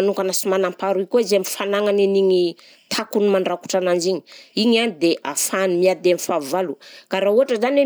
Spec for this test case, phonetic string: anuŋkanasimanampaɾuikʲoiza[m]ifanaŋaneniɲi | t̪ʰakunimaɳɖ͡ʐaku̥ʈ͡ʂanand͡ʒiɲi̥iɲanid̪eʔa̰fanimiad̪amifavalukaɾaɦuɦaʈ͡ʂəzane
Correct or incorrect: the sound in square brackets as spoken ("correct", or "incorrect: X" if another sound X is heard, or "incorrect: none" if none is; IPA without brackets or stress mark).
correct